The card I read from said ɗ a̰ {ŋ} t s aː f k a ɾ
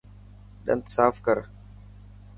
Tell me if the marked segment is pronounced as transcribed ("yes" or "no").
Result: no